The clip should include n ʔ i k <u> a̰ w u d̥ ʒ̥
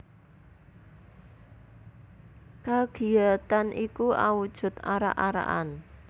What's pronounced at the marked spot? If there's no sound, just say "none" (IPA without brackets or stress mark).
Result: u